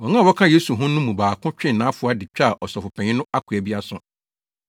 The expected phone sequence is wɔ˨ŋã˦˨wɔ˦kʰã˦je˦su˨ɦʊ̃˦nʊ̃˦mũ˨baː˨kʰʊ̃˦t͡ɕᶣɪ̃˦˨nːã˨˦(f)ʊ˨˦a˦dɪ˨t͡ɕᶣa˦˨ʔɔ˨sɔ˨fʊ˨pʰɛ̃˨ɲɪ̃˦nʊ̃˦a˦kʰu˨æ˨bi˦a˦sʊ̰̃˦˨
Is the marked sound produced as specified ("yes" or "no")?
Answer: yes